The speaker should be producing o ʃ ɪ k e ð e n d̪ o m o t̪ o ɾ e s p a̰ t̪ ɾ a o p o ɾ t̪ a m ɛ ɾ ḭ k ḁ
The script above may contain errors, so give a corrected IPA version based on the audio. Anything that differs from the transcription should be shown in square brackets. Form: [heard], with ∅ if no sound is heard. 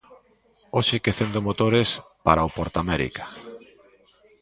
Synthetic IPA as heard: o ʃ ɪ k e [θ] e n d̪ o m o t̪ o ɾ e s p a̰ [∅] ɾ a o p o ɾ t̪ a m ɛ ɾ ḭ k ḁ

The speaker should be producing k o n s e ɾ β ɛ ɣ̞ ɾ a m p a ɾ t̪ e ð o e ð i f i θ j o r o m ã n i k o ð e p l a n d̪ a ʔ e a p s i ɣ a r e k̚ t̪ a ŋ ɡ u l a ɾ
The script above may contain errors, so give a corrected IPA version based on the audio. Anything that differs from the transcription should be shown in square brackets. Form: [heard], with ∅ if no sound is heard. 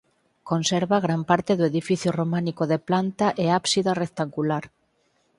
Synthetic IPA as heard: k o n s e ɾ β [a] ɣ̞ ɾ a m p a ɾ t̪ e ð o e ð i f i θ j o r o m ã n i k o ð e p l a n [t̪] a ʔ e a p s i [ð] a r e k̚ t̪ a ŋ ɡ u l a ɾ

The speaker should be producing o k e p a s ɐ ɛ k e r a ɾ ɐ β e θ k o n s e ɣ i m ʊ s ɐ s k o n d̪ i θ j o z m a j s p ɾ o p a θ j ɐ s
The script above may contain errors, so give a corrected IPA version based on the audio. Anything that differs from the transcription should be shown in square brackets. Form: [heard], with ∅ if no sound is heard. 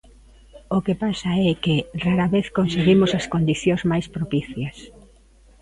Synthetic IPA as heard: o k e p a s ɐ ɛ k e r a ɾ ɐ β e θ k o n s e ɣ i m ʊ s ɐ s k o n d̪ i θ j o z m a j s p ɾ o p [i] θ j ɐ s

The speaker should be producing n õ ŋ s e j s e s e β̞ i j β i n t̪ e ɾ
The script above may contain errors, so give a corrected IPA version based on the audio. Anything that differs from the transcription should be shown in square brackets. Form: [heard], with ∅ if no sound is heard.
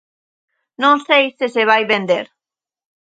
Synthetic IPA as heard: n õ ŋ s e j s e s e β̞ [a] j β [e] n [d̪] e ɾ

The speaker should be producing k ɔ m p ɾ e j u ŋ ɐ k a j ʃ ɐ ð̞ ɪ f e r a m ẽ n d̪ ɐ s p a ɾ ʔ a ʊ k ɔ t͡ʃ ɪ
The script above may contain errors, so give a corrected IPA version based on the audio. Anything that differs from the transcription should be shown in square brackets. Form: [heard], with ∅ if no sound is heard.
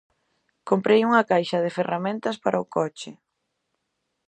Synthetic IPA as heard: k [o] m p ɾ e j u ŋ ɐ k a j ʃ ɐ ð̞ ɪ f e r a m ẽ n [t̪] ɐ s p a ɾ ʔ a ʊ k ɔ t͡ʃ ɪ

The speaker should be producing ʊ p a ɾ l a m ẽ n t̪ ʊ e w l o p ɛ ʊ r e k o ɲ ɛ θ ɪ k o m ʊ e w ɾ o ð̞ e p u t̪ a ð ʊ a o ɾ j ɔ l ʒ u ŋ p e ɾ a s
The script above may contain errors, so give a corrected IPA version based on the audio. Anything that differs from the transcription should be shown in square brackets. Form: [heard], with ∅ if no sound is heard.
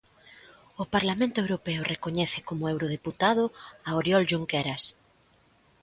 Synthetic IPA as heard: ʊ p a ɾ l a m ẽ n t̪ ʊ e w [ɾ] o p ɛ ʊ r e k o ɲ ɛ θ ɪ k o m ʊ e w ɾ o ð̞ e p u t̪ a ð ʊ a o ɾ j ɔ l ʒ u ŋ [k] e ɾ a s

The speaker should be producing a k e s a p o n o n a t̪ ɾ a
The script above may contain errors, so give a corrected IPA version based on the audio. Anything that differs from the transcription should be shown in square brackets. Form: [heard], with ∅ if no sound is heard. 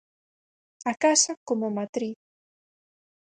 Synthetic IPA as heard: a k [a] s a [k] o [m] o [m] a t̪ ɾ [i]

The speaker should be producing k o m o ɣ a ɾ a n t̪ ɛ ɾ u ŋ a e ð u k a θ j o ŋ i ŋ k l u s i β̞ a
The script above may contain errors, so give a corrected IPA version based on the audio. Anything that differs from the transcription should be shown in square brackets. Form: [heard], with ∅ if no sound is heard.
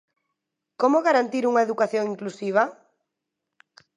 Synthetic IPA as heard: k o m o ɣ a ɾ a n t̪ [i] ɾ u ŋ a e ð u k a θ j o ŋ i ŋ k l u s i β̞ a

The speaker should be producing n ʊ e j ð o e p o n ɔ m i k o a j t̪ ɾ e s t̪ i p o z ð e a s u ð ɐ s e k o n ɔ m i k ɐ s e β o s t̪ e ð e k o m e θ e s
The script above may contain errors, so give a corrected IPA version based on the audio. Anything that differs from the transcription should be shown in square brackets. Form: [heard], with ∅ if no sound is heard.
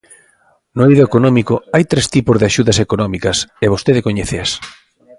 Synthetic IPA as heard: n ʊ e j ð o e [k] o n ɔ m i k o a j t̪ ɾ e s t̪ i p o z ð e a [ʃ] u ð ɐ s e k o n ɔ m i k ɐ s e β o s t̪ e ð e k o [ɲ] e θ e s

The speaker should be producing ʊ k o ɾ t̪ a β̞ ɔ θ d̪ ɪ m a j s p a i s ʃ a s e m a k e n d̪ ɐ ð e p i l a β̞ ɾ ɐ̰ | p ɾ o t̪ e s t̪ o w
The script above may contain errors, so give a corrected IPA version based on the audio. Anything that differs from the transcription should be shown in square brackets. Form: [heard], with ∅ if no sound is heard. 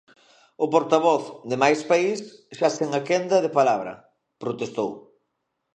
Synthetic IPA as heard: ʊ [p] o ɾ t̪ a β̞ ɔ θ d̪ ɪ m a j s p a i s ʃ a s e [ŋ] a k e n d̪ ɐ ð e p [a] l a β̞ ɾ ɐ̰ | p ɾ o t̪ e s t̪ o w

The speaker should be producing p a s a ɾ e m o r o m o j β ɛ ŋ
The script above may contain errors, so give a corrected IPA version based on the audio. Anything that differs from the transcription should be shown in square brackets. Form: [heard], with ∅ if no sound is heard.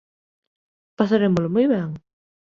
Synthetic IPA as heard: p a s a ɾ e m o [l] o m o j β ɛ ŋ

